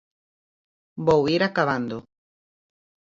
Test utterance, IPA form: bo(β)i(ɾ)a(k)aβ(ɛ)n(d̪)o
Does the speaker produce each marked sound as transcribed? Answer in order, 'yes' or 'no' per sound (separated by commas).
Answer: no, yes, yes, no, yes